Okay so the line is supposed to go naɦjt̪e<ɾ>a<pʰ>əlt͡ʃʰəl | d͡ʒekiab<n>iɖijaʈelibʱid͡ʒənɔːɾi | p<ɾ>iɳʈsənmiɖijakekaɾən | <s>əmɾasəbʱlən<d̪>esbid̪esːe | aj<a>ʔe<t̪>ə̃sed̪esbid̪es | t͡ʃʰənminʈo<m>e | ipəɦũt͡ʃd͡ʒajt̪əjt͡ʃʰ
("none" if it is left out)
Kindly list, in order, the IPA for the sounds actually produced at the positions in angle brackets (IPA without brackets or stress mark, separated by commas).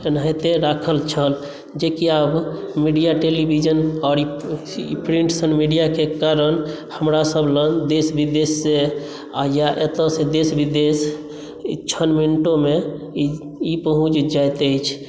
ɾ, kʰ, m, ɾ, h, d̪, a, t̪, m